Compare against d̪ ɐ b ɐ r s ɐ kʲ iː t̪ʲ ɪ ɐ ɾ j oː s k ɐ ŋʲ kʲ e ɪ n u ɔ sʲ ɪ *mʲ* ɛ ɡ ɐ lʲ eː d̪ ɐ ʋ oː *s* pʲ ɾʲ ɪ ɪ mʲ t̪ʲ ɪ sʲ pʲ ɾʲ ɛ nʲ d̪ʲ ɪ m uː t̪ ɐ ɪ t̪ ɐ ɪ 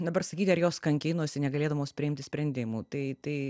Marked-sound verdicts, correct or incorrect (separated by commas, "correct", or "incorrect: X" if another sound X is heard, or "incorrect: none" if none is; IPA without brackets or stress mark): incorrect: nʲ, correct